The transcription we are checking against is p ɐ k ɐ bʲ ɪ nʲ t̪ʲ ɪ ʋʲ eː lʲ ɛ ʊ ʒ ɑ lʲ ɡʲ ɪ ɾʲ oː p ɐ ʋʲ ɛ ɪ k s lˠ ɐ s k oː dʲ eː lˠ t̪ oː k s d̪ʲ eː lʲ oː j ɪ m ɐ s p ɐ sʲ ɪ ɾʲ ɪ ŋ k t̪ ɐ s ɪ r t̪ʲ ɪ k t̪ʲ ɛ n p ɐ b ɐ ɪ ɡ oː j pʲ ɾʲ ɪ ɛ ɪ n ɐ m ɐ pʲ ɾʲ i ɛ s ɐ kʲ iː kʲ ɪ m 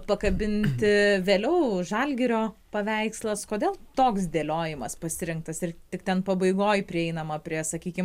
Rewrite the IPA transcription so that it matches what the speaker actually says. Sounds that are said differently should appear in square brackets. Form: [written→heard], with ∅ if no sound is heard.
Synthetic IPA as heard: p ɐ k ɐ bʲ ɪ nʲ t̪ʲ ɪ ʋʲ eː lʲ ɛ ʊ ʒ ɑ lʲ ɡʲ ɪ ɾʲ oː p ɐ ʋʲ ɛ ɪ k s lˠ ɐ s k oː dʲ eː lˠ t̪ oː k s d̪ʲ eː lʲ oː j ɪ m ɐ s p ɐ sʲ ɪ ɾʲ ɪ ŋ k t̪ ɐ s ɪ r t̪ʲ ɪ k t̪ʲ ɛ n p ɐ b ɐ ɪ ɡ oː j pʲ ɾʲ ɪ ɛ ɪ n ɐ m ɐ pʲ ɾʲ i ɛ s ɐ kʲ iː kʲ ɪ m

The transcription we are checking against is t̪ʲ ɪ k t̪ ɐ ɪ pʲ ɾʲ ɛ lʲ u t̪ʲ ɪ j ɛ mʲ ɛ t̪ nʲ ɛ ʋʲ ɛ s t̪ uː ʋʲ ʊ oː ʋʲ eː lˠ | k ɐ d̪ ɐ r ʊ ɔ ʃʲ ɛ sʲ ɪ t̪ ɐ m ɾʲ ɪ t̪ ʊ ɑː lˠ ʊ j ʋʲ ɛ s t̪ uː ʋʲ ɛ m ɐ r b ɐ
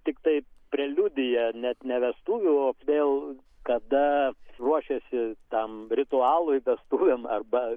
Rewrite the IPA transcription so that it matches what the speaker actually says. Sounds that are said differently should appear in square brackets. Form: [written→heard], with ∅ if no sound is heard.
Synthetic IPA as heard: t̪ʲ ɪ k t̪ ɐ ɪ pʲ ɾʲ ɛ lʲ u [t̪ʲ→d̪ʲ] ɪ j ɛ [mʲ→nʲ] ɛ t̪ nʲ ɛ ʋʲ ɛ s t̪ uː ʋʲ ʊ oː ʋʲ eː lˠ | k ɐ d̪ ɐ r [ʊ→u] ɔ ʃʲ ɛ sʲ ɪ t̪ ɐ m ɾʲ ɪ t̪ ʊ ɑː lˠ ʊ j ʋʲ ɛ s t̪ uː ʋʲ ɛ m ɐ r b ɐ

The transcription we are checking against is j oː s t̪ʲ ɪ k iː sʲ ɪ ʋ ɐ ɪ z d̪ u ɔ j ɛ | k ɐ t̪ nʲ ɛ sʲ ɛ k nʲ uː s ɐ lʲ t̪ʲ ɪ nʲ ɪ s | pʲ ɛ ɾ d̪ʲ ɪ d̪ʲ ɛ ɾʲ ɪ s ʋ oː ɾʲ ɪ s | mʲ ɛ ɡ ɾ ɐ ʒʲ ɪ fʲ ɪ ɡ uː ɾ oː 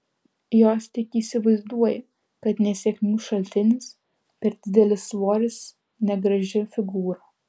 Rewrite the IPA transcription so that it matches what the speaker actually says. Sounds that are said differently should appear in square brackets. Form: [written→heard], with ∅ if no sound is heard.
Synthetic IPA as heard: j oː s t̪ʲ ɪ k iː sʲ ɪ ʋ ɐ ɪ z d̪ u ɔ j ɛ | k ɐ t̪ nʲ ɛ sʲ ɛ k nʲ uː [s→ʃ] ɐ lʲ t̪ʲ ɪ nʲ ɪ s | pʲ ɛ ɾ d̪ʲ ɪ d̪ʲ ɛ [ɾʲ→lʲ] ɪ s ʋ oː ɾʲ ɪ s | [mʲ→nʲ] ɛ ɡ ɾ ɐ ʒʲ ɪ fʲ ɪ ɡ uː ɾ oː

